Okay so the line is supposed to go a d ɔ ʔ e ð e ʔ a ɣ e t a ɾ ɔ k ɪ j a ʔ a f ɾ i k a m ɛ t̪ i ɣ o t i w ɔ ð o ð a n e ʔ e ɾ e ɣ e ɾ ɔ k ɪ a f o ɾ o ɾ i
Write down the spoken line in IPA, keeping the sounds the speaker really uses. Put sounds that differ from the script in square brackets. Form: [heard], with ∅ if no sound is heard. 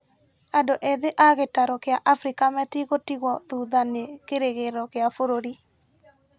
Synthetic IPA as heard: a d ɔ ʔ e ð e ʔ a ɣ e t a ɾ ɔ k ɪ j a ʔ a f ɾ i k a m ɛ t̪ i ɣ o t i [ɣ] ɔ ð [u] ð a n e [k] e ɾ e ɣ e ɾ ɔ k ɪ a f o ɾ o ɾ i